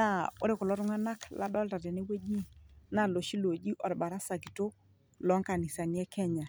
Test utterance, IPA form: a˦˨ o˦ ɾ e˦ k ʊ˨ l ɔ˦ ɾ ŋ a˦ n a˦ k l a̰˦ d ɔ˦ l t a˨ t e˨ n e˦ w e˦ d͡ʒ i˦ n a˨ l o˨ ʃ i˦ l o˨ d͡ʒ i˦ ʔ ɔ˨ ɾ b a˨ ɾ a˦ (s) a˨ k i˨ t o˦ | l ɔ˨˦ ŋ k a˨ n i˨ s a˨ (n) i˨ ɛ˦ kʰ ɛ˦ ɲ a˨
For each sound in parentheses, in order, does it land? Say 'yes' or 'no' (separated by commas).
yes, yes